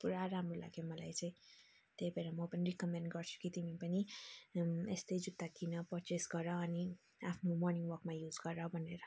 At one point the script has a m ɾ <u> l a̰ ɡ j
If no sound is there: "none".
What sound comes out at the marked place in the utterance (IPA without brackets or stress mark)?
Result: o